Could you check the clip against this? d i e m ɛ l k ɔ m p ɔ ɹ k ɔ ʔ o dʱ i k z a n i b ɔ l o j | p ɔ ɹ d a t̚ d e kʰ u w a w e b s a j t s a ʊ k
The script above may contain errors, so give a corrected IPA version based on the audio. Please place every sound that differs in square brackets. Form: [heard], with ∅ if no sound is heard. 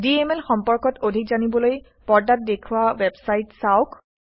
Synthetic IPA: d i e m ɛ l [x] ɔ m p ɔ ɹ k ɔ [t] o dʱ i k z a n i b ɔ l o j | p ɔ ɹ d a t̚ d e kʰ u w a w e b s a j t s a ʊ k